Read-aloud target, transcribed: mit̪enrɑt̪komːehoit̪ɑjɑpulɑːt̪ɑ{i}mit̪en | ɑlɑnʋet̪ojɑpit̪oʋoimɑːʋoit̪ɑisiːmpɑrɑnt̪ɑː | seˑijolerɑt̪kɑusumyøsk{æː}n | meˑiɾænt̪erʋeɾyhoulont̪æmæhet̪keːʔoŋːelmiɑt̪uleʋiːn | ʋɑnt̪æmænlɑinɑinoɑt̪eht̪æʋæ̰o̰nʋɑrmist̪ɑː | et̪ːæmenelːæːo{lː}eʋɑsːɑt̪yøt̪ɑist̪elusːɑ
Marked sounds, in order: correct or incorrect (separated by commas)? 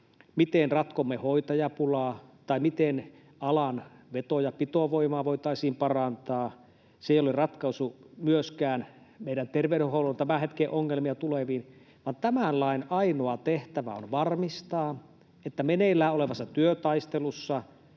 correct, correct, incorrect